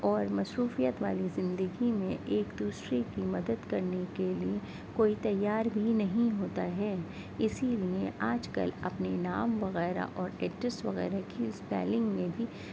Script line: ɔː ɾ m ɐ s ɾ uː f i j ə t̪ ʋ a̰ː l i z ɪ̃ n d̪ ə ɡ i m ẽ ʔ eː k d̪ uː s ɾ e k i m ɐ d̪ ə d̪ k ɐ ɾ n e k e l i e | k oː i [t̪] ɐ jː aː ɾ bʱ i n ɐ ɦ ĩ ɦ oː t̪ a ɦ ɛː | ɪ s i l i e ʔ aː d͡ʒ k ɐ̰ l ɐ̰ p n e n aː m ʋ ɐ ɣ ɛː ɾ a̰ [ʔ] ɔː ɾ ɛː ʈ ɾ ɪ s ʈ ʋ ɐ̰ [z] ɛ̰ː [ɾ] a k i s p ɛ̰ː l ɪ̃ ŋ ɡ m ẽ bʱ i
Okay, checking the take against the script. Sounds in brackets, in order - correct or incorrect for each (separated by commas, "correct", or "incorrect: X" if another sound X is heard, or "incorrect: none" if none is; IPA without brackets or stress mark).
correct, correct, incorrect: ɣ, correct